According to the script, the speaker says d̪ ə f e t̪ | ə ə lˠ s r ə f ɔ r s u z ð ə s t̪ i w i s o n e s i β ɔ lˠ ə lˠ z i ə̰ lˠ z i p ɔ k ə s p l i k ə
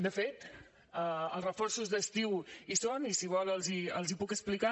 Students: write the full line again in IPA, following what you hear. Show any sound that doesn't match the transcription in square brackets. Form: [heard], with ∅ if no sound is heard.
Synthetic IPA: d̪ ə f e t̪ | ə ə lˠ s r ə f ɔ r s u z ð ə s t̪ i w i s o n [i] s i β ɔ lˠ ə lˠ z i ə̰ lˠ z i p [u] k ə s p l i k [a]